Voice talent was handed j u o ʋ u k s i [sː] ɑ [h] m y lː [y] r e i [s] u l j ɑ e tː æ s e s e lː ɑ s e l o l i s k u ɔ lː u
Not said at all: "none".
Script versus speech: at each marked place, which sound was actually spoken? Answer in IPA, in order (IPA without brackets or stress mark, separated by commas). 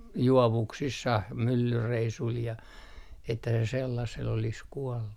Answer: sː, h, y, s